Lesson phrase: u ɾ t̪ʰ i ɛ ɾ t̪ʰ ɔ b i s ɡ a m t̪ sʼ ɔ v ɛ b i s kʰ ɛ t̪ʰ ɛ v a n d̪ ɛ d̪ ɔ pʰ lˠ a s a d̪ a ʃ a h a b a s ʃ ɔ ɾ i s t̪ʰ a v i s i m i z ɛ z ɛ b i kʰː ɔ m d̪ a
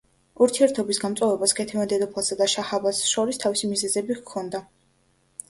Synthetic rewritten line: u ɾ t̪ʰ i ɛ ɾ t̪ʰ ɔ b i s ɡ a m t̪ sʼ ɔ v ɛ b a s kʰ ɛ t̪ʰ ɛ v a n d̪ ɛ d̪ ɔ pʰ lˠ a s a d̪ a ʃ a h a b a s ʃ ɔ ɾ i s t̪ʰ a v i s i m i z ɛ z ɛ b i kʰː ɔ n d̪ a